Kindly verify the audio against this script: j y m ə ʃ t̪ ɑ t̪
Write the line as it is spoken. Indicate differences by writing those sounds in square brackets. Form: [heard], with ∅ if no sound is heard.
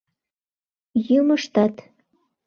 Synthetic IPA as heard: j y m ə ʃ t̪ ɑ t̪